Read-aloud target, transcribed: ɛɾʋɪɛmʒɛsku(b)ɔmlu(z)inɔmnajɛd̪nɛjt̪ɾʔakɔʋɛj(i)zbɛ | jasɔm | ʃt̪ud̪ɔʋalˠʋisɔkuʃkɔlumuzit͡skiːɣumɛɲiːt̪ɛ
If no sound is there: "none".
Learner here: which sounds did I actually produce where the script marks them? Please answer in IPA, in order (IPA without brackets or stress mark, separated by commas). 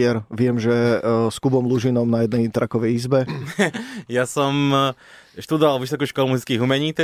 b, ʒ, i